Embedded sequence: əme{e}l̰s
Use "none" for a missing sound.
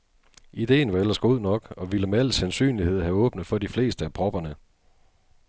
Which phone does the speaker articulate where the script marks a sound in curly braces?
æ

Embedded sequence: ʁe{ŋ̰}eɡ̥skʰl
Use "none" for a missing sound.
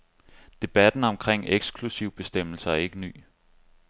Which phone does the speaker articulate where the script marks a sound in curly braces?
ŋ̰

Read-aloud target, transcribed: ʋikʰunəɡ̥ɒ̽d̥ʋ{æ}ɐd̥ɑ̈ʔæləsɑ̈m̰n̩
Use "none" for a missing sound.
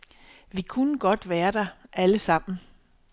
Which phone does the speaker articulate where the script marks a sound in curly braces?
æː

